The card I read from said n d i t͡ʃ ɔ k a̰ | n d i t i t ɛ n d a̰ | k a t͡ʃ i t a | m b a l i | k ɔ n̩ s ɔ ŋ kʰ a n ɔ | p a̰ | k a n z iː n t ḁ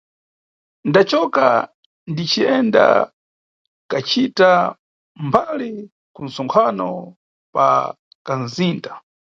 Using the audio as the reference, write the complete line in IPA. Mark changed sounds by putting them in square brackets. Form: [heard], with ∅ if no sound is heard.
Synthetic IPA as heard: n d [a] t͡ʃ ɔ k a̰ | n d i [t͡ʃ] i [∅] ɛ n d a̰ | k a t͡ʃ i t a | m b a l i | k [u] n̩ s ɔ ŋ kʰ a n ɔ | p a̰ | k a n z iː n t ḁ